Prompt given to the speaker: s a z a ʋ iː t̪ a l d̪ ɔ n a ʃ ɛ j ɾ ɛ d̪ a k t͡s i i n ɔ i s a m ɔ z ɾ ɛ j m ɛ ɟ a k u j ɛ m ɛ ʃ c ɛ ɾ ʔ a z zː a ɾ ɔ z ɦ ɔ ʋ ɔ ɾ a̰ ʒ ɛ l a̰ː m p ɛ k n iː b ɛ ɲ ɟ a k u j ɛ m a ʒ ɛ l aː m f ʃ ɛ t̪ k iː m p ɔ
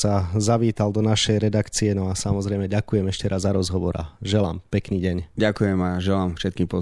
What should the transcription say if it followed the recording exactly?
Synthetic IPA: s a z a ʋ iː t̪ a l d̪ ɔ n a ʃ ɛ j ɾ ɛ d̪ a k t͡s i ɛ n ɔ a s a m ɔ z ɾ ɛ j m ɛ ɟ a k u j ɛ m ɛ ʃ c ɛ ɾ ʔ a z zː a ɾ ɔ z ɦ ɔ ʋ ɔ ɾ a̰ ʒ ɛ l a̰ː m p ɛ k n iː ɟ ɛ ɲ ɟ a k u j ɛ m a ʒ ɛ l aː m f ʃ ɛ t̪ k iː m p ɔ